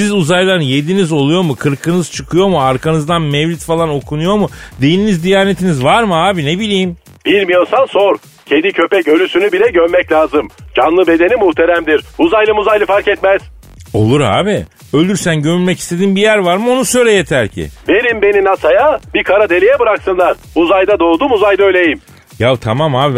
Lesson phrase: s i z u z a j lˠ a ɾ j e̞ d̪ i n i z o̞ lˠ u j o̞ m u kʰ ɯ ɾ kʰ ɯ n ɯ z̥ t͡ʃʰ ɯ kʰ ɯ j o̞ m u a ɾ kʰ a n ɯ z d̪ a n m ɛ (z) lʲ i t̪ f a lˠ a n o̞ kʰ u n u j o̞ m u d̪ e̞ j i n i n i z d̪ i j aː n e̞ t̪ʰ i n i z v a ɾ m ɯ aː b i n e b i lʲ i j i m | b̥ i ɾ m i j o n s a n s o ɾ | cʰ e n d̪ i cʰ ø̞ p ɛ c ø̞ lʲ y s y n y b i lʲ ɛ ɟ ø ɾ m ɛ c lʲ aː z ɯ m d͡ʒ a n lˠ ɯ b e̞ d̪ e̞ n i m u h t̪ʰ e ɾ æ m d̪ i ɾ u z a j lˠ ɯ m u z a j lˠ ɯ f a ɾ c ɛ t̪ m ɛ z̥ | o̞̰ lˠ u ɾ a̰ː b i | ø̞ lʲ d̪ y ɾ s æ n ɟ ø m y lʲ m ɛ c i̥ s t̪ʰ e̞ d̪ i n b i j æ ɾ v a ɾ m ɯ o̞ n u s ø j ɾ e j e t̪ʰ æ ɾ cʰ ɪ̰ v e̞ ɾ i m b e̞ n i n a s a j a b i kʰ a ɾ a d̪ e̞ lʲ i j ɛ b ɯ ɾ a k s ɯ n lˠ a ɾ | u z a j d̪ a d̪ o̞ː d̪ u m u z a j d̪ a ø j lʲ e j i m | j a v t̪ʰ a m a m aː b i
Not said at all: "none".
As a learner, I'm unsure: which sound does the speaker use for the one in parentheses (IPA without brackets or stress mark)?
v